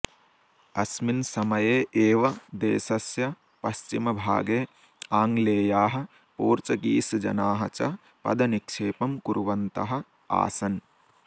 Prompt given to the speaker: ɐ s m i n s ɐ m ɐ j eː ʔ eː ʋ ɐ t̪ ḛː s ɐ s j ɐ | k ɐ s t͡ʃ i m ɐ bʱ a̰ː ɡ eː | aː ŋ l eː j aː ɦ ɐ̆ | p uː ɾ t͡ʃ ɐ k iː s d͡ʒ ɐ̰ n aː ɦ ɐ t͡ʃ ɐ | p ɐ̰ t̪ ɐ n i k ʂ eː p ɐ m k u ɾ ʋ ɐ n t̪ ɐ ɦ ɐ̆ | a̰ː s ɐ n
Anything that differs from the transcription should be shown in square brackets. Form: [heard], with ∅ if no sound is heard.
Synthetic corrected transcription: ɐ s m i n s ɐ m ɐ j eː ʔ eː ʋ ɐ [d̪] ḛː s ɐ s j ɐ | [p] ɐ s t͡ʃ i m ɐ bʱ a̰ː ɡ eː | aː ŋ l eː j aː ɦ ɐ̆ | p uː ɾ t͡ʃ ɐ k iː s d͡ʒ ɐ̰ n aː ɦ ɐ t͡ʃ ɐ | p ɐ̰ [d̪] ɐ n i k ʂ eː p ɐ m k u ɾ ʋ ɐ n t̪ ɐ ɦ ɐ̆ | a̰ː s ɐ n